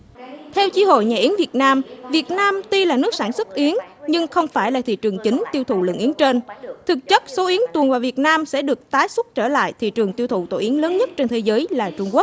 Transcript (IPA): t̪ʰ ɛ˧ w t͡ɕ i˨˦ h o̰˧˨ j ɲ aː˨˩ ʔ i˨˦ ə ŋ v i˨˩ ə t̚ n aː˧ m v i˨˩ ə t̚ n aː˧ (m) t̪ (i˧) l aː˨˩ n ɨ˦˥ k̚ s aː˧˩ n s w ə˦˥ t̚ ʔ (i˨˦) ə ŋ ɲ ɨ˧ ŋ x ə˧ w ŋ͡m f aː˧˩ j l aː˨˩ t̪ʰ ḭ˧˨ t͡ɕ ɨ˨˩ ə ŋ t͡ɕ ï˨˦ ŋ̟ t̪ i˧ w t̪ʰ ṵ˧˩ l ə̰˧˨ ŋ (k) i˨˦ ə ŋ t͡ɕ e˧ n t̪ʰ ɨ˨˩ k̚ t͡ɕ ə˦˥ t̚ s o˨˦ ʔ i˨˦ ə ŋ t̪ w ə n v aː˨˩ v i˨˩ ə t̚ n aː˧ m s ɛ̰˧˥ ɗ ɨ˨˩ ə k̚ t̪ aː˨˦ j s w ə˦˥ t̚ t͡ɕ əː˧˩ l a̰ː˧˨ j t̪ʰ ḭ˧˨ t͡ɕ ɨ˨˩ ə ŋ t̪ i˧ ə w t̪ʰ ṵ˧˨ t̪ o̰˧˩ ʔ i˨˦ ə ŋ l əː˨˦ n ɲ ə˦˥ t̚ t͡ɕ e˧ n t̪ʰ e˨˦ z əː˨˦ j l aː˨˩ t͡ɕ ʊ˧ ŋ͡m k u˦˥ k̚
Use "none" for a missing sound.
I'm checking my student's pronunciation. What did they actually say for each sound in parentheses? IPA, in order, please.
m, i˧, i˨˦, ʔ

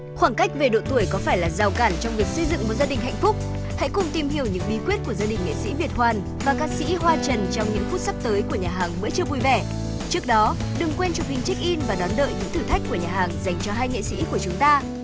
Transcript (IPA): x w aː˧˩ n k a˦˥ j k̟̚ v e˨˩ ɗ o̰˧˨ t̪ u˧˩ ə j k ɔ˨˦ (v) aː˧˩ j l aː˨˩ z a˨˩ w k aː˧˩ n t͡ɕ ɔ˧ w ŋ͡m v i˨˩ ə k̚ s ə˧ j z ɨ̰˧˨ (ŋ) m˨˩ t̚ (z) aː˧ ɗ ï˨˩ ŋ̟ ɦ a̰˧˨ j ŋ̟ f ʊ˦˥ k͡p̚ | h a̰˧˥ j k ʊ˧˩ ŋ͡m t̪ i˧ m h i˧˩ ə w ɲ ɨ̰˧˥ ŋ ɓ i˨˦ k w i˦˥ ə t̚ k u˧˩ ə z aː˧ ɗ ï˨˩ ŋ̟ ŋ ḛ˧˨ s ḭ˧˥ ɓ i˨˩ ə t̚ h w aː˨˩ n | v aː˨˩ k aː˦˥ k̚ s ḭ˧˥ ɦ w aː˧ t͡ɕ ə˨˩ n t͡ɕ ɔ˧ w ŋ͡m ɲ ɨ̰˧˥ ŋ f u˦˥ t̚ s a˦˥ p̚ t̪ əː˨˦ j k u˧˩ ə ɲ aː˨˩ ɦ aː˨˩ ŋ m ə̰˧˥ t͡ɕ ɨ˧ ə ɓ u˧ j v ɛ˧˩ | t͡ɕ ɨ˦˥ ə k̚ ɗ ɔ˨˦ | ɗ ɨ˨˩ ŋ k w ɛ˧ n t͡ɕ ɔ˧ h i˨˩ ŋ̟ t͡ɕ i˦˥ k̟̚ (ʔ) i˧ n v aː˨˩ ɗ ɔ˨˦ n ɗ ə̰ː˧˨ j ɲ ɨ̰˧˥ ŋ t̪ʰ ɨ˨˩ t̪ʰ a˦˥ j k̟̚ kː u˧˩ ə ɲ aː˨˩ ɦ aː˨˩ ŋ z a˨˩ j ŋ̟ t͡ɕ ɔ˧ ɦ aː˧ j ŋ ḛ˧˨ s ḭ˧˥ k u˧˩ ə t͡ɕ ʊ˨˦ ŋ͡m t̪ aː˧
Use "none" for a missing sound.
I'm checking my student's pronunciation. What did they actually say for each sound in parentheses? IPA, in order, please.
f, ŋ, z, ʔ

